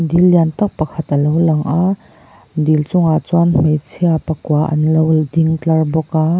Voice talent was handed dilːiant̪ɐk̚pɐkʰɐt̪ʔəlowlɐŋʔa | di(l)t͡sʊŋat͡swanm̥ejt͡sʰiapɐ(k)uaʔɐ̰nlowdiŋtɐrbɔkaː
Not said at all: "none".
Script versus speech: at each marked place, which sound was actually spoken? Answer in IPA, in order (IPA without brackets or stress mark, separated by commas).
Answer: l, k